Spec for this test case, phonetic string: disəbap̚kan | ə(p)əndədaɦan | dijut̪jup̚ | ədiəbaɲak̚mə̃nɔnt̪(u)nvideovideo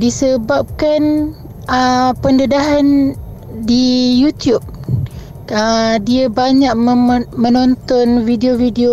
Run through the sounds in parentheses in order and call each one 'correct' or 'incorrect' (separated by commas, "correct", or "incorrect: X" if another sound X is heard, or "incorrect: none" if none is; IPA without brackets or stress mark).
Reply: correct, incorrect: ɔ